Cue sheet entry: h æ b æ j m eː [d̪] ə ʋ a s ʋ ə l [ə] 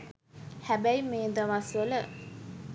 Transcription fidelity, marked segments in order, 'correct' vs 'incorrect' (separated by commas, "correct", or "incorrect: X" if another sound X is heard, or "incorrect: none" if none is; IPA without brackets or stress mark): correct, correct